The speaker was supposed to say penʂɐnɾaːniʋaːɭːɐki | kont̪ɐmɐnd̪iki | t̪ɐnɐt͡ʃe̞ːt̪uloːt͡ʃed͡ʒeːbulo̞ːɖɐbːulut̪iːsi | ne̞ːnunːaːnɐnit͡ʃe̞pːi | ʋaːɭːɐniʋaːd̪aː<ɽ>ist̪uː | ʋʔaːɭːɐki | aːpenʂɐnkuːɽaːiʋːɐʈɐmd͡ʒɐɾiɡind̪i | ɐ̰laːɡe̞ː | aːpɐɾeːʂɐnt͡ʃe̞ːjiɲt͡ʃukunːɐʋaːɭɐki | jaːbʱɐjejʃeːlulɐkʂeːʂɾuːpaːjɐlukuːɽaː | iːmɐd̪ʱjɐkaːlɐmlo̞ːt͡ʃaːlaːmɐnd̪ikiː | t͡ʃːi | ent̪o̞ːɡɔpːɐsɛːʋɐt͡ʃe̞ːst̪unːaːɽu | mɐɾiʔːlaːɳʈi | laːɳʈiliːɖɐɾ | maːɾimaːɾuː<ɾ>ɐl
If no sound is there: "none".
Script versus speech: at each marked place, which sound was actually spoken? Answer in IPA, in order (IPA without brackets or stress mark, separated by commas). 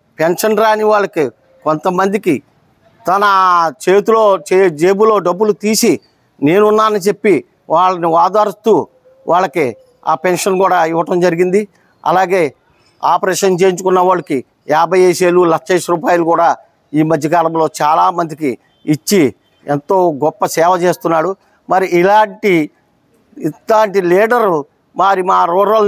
ɾ, ɾ